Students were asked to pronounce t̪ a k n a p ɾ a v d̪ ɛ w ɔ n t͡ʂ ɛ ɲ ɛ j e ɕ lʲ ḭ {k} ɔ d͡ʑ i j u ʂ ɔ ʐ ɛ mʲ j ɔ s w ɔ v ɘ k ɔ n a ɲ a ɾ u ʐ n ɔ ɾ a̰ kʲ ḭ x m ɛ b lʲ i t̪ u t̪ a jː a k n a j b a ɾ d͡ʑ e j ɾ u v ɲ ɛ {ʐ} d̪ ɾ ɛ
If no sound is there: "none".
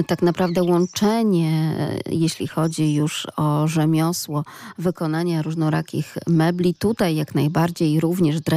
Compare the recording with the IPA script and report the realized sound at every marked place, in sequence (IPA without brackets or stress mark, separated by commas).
x, ʐ